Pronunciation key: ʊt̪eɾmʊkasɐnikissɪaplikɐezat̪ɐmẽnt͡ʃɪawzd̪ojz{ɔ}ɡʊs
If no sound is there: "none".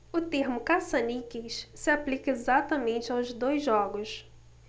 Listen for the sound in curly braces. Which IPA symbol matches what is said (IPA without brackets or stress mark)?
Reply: ɔ